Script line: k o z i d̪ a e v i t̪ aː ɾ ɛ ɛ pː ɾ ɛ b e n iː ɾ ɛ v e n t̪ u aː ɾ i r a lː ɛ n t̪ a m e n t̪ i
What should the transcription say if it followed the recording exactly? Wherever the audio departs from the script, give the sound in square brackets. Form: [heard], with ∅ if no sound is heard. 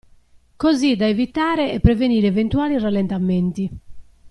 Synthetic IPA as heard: k o z i d̪ a e v i t̪ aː ɾ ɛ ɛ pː ɾ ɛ [v] e n iː ɾ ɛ v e n t̪ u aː [l] i r a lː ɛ n t̪ a m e n t̪ i